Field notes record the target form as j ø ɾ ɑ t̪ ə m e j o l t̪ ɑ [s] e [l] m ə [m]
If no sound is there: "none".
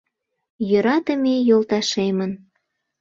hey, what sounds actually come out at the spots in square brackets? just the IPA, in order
ʃ, none, n

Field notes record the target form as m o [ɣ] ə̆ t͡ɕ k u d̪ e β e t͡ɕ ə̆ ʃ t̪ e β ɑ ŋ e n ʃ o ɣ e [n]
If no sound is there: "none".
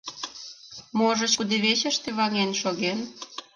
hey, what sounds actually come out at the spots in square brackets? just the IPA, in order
ʒ, n

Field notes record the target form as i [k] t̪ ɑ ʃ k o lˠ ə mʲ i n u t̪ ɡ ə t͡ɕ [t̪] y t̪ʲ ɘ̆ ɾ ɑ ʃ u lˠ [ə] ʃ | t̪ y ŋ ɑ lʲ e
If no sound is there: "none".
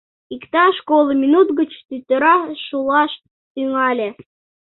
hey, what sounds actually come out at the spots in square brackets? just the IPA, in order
k, t̪, ɑ

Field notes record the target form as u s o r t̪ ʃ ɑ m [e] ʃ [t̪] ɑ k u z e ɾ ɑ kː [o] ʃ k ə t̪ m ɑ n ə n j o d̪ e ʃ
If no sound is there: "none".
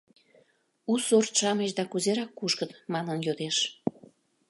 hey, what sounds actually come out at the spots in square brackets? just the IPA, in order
e, d̪, u

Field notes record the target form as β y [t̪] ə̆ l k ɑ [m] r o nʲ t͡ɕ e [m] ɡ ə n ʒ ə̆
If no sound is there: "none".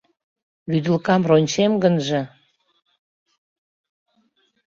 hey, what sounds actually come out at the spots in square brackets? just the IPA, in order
d̪, m, m

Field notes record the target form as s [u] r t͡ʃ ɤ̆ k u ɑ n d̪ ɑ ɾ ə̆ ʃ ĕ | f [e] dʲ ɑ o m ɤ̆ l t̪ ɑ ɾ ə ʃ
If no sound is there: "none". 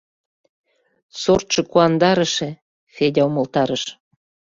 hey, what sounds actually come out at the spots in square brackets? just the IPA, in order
o, e

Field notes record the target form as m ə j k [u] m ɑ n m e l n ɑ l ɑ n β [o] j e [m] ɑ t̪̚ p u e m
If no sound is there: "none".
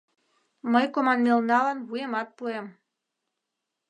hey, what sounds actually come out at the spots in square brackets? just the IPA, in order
o, u, m

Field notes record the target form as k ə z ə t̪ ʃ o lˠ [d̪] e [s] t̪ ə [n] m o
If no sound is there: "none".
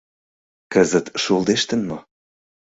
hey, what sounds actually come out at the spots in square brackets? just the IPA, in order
d̪, ʃ, n

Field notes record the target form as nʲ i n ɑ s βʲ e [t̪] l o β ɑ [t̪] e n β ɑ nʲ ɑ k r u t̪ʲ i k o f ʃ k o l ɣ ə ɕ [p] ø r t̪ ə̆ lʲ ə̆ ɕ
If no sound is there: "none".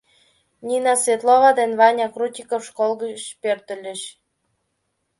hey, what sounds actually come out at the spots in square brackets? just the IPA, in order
t̪, d̪, p

